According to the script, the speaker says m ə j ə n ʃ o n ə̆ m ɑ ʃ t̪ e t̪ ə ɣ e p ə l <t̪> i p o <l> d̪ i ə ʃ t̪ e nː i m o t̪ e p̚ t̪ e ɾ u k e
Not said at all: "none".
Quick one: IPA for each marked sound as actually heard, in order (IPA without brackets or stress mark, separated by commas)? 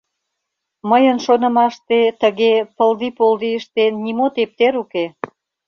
d̪, l